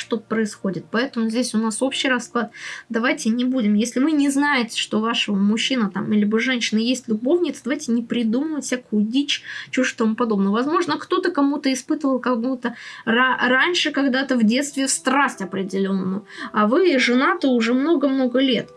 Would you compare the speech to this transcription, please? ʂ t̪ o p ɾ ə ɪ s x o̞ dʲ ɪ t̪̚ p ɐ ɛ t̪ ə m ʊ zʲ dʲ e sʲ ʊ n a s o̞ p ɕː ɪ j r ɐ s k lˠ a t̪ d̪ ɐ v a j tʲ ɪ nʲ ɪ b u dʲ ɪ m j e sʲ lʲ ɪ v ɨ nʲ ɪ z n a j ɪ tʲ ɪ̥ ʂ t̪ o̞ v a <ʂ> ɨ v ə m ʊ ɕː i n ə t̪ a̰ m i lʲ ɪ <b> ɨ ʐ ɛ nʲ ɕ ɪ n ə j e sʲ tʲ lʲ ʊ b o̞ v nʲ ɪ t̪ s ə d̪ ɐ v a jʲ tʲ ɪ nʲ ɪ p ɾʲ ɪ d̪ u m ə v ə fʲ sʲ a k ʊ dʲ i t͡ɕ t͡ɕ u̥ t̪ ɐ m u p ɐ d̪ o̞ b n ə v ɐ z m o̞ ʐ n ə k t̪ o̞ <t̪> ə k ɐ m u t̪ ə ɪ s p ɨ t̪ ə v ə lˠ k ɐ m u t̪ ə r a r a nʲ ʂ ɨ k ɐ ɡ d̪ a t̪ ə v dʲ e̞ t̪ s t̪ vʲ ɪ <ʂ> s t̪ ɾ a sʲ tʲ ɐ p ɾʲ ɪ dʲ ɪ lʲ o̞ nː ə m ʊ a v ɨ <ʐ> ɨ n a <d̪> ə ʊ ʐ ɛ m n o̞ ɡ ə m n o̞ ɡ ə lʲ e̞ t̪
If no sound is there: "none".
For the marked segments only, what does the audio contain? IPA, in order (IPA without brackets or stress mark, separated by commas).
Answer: ʂ, b, t̪, f, ʐ, t̪